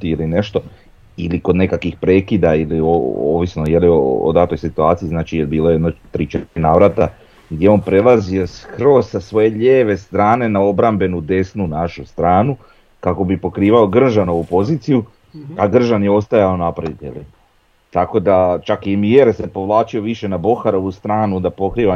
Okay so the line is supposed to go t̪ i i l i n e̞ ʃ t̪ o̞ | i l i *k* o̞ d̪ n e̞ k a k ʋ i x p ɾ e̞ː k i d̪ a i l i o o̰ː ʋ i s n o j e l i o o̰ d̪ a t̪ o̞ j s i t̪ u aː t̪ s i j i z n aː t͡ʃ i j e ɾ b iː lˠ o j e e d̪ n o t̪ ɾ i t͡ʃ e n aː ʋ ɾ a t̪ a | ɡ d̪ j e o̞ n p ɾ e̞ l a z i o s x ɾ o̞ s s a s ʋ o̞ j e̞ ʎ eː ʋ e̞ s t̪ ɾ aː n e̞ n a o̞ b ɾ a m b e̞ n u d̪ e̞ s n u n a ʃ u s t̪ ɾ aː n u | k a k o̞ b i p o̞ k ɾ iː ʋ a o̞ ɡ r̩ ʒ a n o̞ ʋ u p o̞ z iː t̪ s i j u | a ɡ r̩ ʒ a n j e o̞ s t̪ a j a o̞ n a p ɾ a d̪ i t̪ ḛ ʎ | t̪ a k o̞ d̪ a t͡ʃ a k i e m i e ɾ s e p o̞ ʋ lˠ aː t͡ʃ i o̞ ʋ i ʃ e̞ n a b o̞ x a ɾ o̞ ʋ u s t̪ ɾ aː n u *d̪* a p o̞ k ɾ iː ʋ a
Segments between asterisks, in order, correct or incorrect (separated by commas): correct, correct